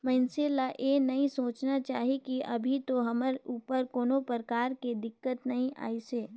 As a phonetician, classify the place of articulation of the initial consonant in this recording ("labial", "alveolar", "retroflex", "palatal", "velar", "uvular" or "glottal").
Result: labial